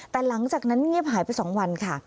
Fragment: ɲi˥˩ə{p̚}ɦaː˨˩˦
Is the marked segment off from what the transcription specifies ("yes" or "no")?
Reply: no